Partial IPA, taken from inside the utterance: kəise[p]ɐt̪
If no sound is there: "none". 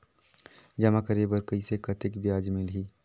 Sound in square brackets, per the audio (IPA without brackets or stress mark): k